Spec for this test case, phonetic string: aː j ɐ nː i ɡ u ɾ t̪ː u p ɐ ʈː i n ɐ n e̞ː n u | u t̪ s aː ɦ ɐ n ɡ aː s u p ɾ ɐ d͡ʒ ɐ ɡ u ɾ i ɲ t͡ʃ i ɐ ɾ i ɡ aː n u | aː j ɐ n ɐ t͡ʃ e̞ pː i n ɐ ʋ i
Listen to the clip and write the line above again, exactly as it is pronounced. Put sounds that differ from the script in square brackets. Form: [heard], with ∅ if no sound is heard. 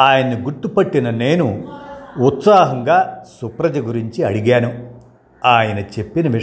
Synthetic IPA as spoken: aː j ɐ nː i ɡ u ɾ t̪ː u p ɐ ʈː i n ɐ n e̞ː n u | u t̪ s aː ɦ ɐ [ŋ] ɡ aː s u p ɾ ɐ d͡ʒ ɐ ɡ u ɾ i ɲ t͡ʃ i ɐ [ɽ] i ɡ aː n u | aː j ɐ n ɐ t͡ʃ e̞ pː i n ɐ ʋ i